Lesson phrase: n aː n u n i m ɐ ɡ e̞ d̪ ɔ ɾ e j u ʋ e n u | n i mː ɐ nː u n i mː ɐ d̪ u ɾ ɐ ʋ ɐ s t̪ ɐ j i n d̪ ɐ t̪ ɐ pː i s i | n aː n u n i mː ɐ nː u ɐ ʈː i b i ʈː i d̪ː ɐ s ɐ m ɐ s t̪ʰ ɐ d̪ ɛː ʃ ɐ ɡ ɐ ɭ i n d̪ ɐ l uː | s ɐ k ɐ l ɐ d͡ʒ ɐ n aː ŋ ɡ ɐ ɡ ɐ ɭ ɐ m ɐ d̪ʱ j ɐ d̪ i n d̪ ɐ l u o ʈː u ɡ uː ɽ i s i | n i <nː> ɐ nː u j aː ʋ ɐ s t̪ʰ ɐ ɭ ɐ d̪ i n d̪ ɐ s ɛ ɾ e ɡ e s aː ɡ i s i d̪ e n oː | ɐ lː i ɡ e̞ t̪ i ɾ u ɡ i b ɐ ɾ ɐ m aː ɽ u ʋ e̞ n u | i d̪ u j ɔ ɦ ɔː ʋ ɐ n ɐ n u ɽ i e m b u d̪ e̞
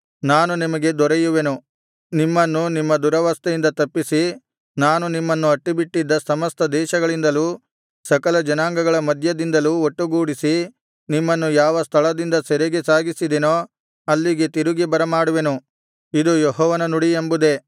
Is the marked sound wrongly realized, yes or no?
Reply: yes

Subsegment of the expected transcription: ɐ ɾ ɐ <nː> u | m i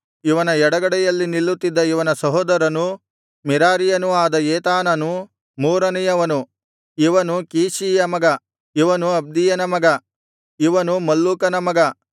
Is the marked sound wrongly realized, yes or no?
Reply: yes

